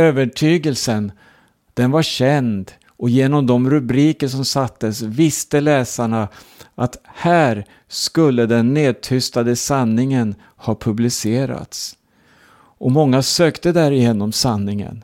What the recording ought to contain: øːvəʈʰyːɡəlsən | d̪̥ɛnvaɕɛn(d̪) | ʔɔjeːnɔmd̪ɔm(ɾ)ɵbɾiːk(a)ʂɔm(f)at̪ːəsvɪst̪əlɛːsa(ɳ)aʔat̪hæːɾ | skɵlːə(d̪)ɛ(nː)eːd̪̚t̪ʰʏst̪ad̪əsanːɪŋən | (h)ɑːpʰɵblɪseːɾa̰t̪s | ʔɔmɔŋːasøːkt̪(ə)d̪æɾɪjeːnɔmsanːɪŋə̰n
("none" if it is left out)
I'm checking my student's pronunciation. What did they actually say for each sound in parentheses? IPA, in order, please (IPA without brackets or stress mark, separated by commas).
d̪, ɾ, ə, s, ɳ, d̪, nː, h, ə